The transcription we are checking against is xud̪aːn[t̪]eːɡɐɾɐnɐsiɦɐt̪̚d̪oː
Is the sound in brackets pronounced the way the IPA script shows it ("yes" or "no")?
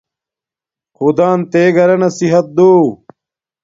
yes